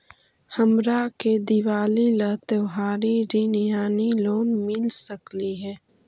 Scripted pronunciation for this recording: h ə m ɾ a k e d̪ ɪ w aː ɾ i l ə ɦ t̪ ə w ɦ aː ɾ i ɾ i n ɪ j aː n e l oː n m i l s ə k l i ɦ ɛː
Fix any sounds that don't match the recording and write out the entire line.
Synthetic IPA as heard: h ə m ɾ a k e d̪ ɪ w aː l i l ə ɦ t̪ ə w ɦ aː ɾ i ɾ i n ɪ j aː n i l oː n m ɪ l s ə k l i ɦ ɛː